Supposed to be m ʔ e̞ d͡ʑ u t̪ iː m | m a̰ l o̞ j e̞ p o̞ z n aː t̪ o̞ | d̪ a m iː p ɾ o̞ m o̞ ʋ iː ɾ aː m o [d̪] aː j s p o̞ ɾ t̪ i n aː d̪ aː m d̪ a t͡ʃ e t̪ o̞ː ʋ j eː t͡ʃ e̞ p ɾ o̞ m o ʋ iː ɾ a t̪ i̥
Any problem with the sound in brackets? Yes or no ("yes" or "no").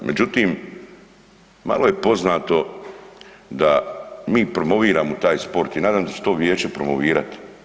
yes